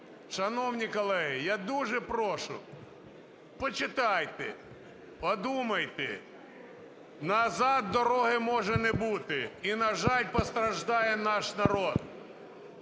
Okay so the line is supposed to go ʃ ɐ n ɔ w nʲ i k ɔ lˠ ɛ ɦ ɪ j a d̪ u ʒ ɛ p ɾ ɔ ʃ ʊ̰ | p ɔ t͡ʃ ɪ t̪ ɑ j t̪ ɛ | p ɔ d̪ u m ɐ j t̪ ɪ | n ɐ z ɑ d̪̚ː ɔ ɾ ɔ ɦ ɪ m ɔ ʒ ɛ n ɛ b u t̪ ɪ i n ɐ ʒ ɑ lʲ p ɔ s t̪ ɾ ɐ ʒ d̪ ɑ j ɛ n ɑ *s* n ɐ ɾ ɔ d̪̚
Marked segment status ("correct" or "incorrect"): incorrect